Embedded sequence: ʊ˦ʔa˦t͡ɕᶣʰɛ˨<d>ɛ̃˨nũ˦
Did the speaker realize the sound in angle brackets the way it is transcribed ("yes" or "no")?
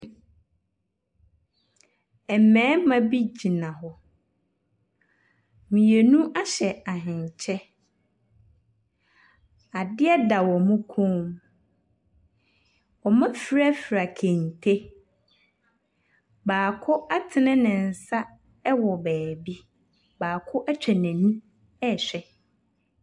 no